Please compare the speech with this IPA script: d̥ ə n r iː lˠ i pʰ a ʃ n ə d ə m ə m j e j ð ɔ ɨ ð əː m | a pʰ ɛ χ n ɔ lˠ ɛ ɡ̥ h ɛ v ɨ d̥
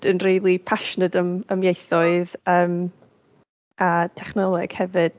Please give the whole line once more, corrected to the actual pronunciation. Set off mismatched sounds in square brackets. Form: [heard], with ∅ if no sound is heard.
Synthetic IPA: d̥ ə n r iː lˠ i pʰ a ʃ n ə d ə m ə m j e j [θ] ɔ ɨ ð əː m | a [tʰ] ɛ χ n ɔ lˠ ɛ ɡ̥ h ɛ v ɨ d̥